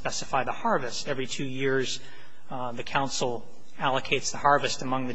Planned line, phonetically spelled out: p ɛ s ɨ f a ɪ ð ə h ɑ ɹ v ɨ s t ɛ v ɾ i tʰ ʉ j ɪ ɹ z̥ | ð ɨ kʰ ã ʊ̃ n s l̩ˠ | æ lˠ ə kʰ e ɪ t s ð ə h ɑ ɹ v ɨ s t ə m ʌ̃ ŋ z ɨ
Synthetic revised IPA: p ɛ s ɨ f a ɪ ð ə h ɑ ɹ v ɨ s t ɛ v ɹ i tʰ ʉ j ɪ ɹ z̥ | ð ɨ kʰ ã ʊ̃ n s l̩ˠ | æ lˠ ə kʰ e ɪ t s ð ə h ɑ ɹ v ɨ s t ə m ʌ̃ ŋ ð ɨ